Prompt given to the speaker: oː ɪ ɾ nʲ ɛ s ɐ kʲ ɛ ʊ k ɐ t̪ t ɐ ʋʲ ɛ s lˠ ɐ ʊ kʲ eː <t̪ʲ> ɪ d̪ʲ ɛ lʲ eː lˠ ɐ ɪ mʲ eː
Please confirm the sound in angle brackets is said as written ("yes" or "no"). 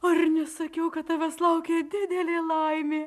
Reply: no